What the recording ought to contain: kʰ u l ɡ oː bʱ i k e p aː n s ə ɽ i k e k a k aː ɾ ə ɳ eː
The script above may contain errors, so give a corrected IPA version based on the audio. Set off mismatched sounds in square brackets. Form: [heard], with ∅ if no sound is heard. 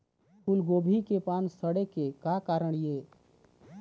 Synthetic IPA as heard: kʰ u l ɡ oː bʱ i k e p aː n s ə ɽ [e] k e k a k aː ɾ ə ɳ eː

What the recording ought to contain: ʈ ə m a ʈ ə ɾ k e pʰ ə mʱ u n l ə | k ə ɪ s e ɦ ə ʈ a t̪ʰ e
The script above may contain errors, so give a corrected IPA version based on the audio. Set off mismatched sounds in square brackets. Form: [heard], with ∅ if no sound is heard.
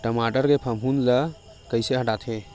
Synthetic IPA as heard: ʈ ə m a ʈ ə ɾ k e pʰ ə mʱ u n l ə | k ə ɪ s e ɦ ə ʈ a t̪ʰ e

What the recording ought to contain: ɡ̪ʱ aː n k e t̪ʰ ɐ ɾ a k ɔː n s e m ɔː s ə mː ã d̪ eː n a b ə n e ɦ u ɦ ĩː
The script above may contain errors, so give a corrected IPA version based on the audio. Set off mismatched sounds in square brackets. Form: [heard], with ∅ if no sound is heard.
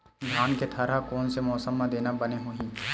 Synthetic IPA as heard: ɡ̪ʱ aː n k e t̪ʰ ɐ ɾ a k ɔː n s e m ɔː s ə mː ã d̪ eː n a b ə n e ɦ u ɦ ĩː

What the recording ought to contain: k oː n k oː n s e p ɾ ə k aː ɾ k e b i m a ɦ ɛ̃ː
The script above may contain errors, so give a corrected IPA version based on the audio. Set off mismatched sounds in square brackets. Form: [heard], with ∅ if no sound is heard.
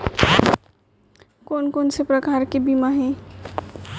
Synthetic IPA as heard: k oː n k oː n s e p ɾ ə k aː ɾ k e b i m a ɦ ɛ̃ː

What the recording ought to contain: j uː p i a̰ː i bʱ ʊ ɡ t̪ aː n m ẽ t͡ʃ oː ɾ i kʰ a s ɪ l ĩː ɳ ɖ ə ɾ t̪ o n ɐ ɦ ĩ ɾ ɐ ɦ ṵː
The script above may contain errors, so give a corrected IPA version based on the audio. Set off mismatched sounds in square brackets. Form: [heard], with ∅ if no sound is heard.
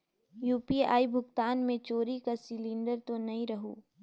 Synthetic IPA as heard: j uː p i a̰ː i bʱ ʊ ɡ t̪ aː n m ẽ t͡ʃ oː ɾ i [k] a s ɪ l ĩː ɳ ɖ ə ɾ t̪ o n ɐ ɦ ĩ ɾ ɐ ɦ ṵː

